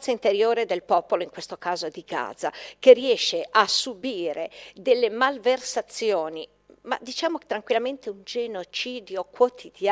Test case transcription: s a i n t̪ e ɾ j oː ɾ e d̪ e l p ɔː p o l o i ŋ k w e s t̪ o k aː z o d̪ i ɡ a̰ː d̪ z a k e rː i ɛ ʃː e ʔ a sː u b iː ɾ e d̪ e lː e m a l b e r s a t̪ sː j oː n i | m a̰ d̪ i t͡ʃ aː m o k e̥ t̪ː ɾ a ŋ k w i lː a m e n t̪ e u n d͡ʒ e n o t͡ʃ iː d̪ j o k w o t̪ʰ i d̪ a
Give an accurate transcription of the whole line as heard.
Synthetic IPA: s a i n t̪ e ɾ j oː ɾ e d̪ e l p ɔː p o l o i ŋ k w e s t̪ o k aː z o d̪ i ɡ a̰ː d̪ z a k e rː i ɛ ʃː e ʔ a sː u b iː ɾ e d̪ e lː e m a l v e r s a t̪ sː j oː n i | m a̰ d̪ i t͡ʃ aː m o k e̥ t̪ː ɾ a ŋ k w i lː a m e n t̪ e u n d͡ʒ e n o t͡ʃ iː d̪ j o k w o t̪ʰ i d̪ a